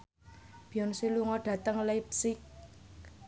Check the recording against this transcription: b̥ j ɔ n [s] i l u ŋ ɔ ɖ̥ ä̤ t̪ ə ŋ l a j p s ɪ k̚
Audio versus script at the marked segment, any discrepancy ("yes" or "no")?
no